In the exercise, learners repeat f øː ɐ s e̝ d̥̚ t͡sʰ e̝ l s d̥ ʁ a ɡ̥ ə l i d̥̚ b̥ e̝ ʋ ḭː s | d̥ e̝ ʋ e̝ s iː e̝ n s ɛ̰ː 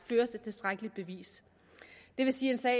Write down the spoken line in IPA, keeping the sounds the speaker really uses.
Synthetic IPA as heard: f øː ɐ s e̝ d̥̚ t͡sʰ e̝ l s d̥ ʁ a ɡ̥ ə l i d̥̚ b̥ e̝ ʋ ḭː s | d̥ e̝ ʋ e̝ s iː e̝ n s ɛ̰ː